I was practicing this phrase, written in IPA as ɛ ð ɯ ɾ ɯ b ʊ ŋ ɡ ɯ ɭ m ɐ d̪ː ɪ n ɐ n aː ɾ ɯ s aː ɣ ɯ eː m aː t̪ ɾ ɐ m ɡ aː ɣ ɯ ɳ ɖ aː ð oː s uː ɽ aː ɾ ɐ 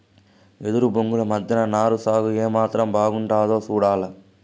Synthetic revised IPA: ɛ ð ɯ ɾ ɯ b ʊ ŋ ɡ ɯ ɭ m ɐ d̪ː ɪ n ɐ n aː ɾ ɯ s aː ɣ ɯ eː m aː t̪ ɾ ɐ m b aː ɣ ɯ ɳ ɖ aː ð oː s uː ɽ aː l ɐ

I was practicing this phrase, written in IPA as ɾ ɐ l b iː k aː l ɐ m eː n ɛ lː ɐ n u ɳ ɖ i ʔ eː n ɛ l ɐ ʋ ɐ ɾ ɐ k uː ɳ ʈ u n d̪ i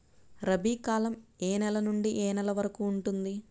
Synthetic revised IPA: ɾ ɐ b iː k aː l ɐ m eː n ɛ l ɐ n u ɳ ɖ i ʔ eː n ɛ l ɐ ʋ ɐ ɾ ɐ k uː ɳ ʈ u n d̪ i

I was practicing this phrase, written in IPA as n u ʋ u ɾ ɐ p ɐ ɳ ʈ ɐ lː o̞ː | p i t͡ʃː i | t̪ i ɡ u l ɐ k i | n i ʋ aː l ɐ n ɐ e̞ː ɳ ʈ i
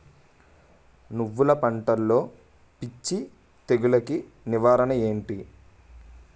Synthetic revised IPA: n u ʋː u l ɐ p ɐ ɳ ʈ ɐ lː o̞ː | p i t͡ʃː i | t̪ e ɡ u l ɐ k i | n i ʋ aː ɾ ɐ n ɐ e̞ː ɳ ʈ i

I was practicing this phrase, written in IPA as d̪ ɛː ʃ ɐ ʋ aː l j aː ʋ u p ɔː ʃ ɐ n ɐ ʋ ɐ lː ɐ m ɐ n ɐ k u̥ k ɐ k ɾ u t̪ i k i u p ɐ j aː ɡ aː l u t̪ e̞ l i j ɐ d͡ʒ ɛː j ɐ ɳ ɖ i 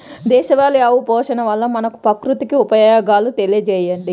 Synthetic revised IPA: d̪ ɛː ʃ ɐ ʋ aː l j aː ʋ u p ɔː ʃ ɐ n ɐ ʋ ɐ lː ɐ m ɐ n ɐ k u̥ p ɐ k ɾ u t̪ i k i u p ɐ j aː ɡ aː l u t̪ e̞ l i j ɐ d͡ʒ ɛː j ɐ ɳ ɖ i

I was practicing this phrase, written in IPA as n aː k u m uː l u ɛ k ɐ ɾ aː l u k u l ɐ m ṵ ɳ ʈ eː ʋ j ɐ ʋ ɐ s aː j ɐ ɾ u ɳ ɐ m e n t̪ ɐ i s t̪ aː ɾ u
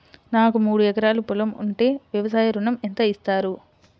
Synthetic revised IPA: n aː k u m uː ɽ u ɛ k ɐ ɾ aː l u p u l ɐ m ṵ ɳ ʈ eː ʋ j ɐ ʋ ɐ s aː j ɐ ɾ u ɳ ɐ m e n t̪ ɐ i s t̪ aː ɾ u

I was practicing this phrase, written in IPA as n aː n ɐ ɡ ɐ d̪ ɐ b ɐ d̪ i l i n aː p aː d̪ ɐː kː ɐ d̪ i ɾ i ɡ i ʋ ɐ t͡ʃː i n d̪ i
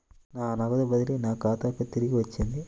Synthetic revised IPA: n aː n ɐ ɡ ɐ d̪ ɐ b ɐ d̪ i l i n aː k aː t̪ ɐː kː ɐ t̪ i ɾ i ɡ i ʋ ɐ t͡ʃː i n d̪ i

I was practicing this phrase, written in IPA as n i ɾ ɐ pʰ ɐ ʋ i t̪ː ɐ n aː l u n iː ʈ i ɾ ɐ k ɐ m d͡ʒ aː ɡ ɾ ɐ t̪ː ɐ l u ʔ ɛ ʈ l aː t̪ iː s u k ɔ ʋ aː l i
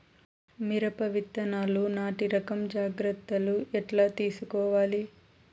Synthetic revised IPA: m i ɾ ɐ p ɐ ʋ i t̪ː ɐ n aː l u n aː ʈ i ɾ ɐ k ɐ m d͡ʒ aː ɡ ɾ ɐ t̪ː ɐ l u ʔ ɛ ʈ l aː t̪ iː s u k ɔː ʋ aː l i

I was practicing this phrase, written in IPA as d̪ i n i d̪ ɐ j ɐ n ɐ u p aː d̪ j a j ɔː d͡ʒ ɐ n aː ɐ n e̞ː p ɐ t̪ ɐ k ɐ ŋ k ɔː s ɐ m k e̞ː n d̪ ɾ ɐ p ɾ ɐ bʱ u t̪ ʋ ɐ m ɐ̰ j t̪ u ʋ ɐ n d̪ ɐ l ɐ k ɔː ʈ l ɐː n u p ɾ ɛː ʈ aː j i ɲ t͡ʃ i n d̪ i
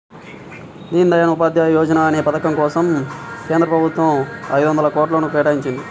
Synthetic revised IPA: d̪ iː n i d̪ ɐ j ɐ n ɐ u p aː d̪ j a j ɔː d͡ʒ ɐ n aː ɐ n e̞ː p ɐ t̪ ɐ k ɐ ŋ k ɔː s ɐ m k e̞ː n d̪ ɾ ɐ p ɾ ɐ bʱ u t̪ ʋ ɐ m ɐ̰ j d̪ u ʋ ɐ n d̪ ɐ l ɐ k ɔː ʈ l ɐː n u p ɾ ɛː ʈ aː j i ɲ t͡ʃ i n d̪ i

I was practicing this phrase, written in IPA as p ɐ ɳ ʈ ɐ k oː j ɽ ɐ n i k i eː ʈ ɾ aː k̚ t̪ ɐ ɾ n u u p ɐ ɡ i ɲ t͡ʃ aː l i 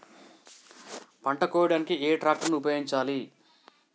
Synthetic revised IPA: p ɐ ɳ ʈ ɐ k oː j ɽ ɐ n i k i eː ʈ ɾ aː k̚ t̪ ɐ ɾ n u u p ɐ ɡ i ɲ t͡ʃ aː l i

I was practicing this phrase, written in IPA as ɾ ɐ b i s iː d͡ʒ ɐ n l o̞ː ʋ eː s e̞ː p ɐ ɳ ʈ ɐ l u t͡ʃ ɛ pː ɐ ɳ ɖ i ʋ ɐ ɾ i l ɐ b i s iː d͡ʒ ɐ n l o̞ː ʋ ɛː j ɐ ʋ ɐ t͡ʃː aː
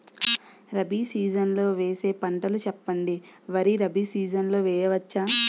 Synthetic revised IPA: ɾ ɐ b i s iː d͡ʒ ɐ n l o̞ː ʋ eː s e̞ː p ɐ ɳ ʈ ɐ l u t͡ʃ ɛ pː ɐ ɳ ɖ i ʋ ɐ ɾ i ɾ ɐ b i s iː d͡ʒ ɐ n l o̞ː ʋ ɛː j ɐ ʋ ɐ t͡ʃː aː

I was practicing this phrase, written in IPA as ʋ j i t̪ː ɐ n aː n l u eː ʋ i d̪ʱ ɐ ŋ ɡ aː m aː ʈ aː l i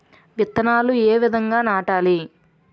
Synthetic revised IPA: ʋ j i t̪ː ɐ n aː l u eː ʋ i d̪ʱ ɐ ŋ ɡ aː n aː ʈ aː l i

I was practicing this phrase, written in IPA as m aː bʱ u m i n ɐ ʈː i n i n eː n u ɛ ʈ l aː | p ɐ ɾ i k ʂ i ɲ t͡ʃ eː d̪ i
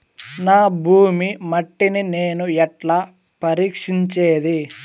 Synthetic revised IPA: n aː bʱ uː m i m ɐ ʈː i n i n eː n u ɛ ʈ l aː | p ɐ ɾ iː k ʂ i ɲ t͡ʃ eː d̪ i

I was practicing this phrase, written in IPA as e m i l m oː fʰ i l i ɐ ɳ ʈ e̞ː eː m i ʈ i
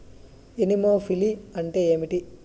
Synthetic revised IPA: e n i m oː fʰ i l i ɐ ɳ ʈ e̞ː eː m i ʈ i

